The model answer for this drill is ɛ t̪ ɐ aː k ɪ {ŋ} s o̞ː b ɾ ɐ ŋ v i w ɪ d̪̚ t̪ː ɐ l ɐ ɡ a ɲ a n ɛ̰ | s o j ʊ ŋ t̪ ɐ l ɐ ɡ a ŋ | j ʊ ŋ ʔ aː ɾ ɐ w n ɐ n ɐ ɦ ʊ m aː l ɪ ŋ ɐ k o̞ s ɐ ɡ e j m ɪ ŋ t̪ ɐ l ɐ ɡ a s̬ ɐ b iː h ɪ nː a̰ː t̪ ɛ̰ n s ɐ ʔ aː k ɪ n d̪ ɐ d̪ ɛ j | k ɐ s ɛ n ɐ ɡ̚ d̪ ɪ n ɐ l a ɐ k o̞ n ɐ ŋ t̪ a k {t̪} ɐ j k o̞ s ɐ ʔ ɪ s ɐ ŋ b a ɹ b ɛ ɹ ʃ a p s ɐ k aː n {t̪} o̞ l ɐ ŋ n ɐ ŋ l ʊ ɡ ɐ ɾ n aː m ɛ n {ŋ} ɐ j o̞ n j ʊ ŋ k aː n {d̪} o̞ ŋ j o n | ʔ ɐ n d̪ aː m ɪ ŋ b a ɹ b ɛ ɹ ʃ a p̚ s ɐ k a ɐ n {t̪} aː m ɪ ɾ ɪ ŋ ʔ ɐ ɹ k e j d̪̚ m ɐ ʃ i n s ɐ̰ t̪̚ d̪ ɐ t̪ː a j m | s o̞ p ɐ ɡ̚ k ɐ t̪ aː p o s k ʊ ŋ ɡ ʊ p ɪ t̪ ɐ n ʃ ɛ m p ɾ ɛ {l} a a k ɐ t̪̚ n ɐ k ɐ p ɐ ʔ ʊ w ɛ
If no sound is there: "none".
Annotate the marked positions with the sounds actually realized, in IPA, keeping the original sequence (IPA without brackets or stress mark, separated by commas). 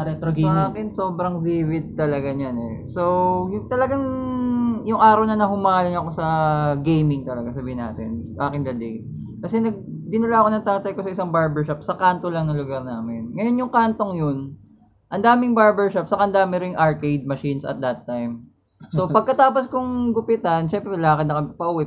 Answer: n, t̪, t̪, ŋ, t̪, d̪, l